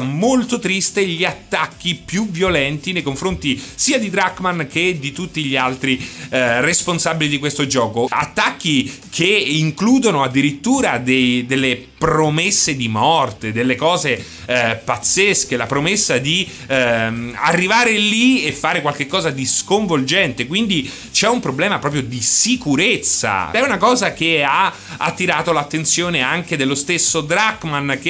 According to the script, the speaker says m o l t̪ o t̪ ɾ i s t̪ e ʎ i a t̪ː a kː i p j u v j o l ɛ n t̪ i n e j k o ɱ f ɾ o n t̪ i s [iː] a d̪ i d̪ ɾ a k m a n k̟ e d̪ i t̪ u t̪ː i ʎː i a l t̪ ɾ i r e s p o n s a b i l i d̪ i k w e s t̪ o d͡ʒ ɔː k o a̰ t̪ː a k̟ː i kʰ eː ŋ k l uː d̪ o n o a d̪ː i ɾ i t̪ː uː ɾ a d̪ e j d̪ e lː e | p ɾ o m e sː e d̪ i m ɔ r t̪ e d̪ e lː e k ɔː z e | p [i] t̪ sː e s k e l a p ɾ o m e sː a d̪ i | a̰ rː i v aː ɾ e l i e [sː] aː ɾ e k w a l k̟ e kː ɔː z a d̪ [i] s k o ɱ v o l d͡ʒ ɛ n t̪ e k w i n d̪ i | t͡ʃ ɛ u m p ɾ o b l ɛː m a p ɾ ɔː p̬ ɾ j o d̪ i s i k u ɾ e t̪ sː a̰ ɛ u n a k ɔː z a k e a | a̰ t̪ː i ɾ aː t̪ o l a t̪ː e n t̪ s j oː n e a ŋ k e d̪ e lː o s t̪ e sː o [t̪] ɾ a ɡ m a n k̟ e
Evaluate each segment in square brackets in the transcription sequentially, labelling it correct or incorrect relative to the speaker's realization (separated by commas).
correct, incorrect, incorrect, correct, incorrect